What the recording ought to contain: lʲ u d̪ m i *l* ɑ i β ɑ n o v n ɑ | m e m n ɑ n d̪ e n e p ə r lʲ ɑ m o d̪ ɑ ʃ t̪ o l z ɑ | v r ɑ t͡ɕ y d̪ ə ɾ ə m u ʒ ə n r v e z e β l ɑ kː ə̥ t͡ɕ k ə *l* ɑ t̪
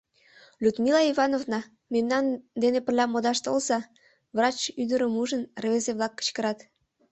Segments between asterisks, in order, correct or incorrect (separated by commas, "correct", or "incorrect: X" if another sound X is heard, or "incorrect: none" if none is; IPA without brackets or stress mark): correct, incorrect: ɾ